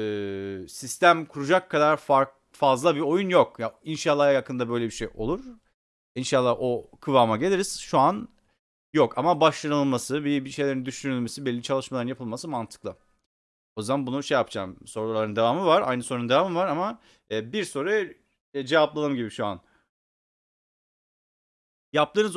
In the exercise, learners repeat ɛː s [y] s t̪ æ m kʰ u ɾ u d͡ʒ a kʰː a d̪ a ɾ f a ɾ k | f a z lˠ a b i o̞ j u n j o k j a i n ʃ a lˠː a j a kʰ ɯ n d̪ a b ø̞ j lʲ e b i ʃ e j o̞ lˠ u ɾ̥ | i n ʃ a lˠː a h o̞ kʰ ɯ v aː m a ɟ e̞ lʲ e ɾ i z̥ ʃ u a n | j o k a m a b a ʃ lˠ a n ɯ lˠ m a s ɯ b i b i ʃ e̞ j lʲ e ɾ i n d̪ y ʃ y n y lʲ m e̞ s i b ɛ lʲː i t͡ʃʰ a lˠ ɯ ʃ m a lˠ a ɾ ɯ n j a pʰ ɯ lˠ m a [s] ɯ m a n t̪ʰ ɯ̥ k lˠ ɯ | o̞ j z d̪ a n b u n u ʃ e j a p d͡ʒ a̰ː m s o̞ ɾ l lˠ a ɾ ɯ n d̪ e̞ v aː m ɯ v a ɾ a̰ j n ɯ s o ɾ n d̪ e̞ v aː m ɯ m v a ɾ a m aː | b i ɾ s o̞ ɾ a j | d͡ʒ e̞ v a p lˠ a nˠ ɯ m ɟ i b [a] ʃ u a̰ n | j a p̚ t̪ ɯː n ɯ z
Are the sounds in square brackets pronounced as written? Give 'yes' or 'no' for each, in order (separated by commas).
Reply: no, yes, no